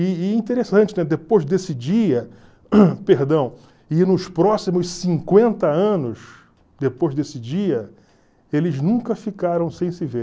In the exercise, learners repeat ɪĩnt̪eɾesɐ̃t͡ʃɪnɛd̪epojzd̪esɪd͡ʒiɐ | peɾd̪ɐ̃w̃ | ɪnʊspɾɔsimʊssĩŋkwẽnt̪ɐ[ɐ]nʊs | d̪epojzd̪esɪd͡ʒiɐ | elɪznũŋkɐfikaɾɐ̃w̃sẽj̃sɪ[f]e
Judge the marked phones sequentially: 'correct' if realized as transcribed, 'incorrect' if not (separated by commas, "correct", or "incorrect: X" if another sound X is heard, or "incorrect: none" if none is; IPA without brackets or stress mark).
incorrect: ɐ̃, incorrect: v